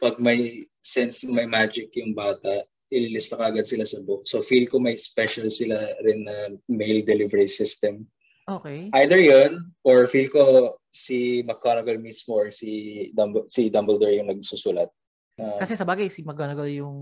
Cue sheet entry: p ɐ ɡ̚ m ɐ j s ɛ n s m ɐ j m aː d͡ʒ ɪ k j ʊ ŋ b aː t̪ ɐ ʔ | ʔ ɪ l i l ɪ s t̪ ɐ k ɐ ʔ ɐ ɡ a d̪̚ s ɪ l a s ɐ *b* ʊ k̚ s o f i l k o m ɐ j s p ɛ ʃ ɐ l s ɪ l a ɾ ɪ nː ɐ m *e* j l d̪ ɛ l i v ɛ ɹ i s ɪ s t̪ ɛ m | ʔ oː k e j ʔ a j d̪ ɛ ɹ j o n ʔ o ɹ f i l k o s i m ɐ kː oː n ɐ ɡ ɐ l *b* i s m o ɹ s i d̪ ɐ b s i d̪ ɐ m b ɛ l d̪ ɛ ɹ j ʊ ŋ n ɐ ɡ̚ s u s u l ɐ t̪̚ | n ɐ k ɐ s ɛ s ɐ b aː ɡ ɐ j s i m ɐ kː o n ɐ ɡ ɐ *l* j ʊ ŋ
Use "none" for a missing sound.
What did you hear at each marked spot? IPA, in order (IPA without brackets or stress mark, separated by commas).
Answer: b, e, m, l